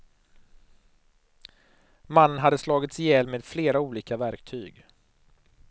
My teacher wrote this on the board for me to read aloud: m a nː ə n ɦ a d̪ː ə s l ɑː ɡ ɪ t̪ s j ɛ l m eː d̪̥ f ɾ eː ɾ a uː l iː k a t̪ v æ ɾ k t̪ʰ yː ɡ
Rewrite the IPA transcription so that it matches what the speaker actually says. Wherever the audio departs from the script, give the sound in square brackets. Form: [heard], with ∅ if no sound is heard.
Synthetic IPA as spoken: m a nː ə n ɦ a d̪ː ə s l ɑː ɡ ɪ t̪ s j ɛ l m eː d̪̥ f [l] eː ɾ a uː l iː k a [∅] v æ ɾ k t̪ʰ yː ɡ